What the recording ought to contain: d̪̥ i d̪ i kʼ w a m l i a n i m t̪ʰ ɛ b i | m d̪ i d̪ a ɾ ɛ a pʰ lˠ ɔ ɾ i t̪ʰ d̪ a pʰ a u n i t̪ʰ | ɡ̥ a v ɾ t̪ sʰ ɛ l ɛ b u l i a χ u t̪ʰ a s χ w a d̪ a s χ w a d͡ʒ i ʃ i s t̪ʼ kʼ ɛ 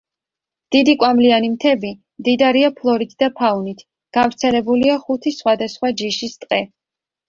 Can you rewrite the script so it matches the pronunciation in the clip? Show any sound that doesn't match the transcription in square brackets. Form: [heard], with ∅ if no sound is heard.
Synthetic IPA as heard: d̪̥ i d̪ i kʼ w a m l i a n i m t̪ʰ ɛ b i | m d̪ i d̪ a ɾ [i] a pʰ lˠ ɔ ɾ i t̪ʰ d̪ a pʰ a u n i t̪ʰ | ɡ̥ a v ɾ t̪ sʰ ɛ l ɛ b u l i a χ u t̪ʰ [i] s χ w a d̪ a s χ w a d͡ʒ i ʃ i s t̪ʼ [qʼ] ɛ